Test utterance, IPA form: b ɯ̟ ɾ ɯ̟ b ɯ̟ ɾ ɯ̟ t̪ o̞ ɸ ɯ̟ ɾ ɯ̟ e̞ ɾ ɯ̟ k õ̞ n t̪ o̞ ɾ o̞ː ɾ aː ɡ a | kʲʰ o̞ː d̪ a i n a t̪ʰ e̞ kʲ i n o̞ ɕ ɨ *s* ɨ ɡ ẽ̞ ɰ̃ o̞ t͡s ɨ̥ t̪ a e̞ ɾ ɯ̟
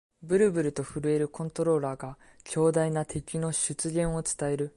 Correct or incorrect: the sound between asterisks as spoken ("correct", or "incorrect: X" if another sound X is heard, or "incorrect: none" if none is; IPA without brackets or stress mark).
incorrect: t͡s